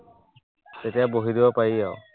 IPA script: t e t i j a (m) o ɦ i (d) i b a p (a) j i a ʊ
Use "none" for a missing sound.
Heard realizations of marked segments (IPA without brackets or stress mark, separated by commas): b, d, a